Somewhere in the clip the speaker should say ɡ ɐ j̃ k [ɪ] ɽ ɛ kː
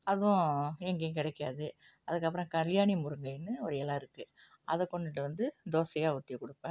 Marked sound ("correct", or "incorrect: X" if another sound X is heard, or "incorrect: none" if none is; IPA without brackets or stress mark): correct